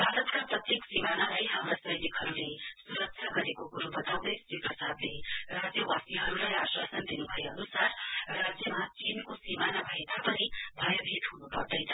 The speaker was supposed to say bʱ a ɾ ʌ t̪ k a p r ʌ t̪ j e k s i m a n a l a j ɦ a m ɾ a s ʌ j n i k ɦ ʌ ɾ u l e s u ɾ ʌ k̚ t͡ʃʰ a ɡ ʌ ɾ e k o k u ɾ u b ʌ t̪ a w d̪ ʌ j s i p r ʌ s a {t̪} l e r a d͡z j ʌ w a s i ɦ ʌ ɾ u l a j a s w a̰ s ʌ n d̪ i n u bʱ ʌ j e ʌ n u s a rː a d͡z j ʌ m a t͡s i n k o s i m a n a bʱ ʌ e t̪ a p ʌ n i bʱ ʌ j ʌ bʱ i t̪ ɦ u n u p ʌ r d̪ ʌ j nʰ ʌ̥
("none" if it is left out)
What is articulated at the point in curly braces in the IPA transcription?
d̪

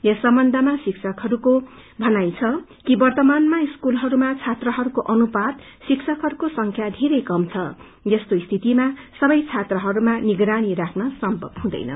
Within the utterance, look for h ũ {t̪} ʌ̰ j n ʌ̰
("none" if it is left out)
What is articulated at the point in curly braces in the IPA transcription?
d̪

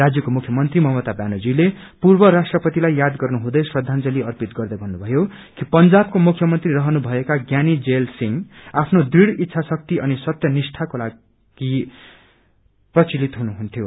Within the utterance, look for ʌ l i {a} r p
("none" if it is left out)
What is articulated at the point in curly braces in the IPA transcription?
ʌ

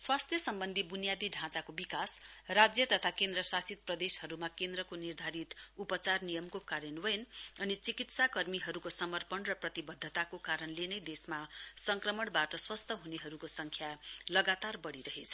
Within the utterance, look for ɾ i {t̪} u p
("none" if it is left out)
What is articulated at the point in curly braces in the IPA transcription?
t̪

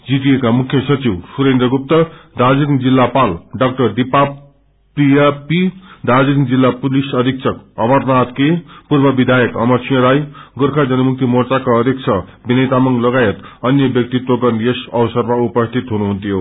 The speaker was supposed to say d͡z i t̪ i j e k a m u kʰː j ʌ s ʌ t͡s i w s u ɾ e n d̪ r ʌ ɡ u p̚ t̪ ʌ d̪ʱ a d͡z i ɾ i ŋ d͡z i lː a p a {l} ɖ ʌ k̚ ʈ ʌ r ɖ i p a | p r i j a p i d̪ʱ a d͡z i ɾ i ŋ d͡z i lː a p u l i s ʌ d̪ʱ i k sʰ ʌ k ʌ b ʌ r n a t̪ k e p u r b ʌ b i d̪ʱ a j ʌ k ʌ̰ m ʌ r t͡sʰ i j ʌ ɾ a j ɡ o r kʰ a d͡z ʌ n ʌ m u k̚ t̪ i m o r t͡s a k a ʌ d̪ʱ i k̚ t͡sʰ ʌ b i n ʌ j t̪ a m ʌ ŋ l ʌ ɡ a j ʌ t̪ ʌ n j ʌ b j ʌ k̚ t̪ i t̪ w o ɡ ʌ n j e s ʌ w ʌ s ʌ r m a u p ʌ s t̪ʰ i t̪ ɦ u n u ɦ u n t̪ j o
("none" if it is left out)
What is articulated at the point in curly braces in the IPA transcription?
l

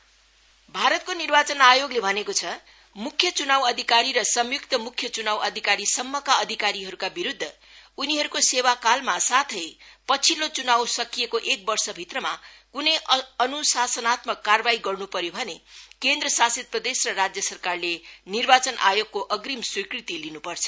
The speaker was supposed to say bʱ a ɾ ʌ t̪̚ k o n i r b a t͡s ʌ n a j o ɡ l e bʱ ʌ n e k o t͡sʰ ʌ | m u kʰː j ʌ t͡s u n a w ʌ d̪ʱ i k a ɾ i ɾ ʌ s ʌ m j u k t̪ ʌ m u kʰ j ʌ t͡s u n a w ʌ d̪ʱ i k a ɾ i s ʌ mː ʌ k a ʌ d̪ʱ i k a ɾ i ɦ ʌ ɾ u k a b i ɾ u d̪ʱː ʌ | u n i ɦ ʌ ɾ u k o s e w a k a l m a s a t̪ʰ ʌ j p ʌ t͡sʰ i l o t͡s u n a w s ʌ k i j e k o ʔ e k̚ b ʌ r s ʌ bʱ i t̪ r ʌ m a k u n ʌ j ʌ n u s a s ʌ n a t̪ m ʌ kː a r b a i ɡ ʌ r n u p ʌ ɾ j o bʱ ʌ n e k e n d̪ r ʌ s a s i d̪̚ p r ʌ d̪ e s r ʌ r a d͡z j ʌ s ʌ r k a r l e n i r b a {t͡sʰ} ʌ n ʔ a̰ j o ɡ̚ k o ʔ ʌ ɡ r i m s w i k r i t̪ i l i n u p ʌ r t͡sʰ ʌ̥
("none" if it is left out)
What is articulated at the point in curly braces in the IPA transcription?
t͡s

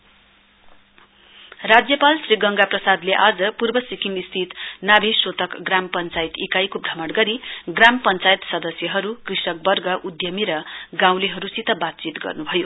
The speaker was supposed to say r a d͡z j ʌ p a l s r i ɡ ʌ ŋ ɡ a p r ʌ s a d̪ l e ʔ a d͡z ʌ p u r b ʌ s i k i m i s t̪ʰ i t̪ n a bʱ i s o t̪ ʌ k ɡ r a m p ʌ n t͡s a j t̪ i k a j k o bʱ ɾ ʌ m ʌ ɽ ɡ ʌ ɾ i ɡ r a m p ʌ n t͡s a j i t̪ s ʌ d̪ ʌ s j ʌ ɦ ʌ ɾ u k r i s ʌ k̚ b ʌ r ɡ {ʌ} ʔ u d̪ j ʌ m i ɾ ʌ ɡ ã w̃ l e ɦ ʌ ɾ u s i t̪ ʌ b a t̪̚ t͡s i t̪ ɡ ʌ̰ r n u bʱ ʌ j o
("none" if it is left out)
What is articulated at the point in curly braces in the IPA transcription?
ʌ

